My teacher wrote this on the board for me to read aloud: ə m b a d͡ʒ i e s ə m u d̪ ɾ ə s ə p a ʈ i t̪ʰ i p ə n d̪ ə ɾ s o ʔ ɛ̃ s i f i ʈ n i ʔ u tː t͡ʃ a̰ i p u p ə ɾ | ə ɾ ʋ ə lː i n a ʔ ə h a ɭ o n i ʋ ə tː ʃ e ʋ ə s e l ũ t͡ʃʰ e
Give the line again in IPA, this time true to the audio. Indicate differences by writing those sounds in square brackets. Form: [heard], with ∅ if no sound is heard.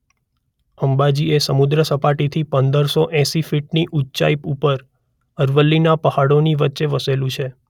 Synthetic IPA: ə m b a d͡ʒ i e s ə m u d̪ ɾ ə s ə p a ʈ i t̪ʰ i p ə n d̪ ə ɾ s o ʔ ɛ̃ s i f i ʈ n i ʔ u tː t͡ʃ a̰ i p u p ə ɾ | ə ɾ ʋ ə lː i n a [p] ə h a [ɽ] o n i ʋ ə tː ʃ e ʋ ə s e l ũ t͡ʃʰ e

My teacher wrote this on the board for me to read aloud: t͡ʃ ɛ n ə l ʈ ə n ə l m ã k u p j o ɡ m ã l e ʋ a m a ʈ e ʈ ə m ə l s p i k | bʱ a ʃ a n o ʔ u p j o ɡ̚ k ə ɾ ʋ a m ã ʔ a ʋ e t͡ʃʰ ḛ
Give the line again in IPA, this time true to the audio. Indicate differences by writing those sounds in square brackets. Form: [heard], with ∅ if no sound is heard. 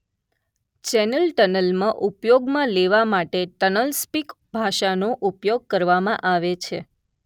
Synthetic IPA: t͡ʃ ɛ n ə l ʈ ə n ə l m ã [ʔ] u p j o ɡ m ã l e ʋ a m a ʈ e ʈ ə [n] ə l s p i k | bʱ a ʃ a n o ʔ u p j o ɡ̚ k ə ɾ ʋ a m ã ʔ a ʋ e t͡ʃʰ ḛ

